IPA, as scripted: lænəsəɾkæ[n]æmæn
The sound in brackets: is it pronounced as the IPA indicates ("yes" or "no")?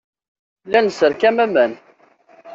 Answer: no